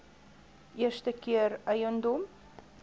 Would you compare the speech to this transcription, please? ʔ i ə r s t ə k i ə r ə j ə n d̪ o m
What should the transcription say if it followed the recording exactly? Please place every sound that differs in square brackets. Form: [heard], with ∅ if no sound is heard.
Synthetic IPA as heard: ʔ i ə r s t ə k i ə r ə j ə n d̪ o m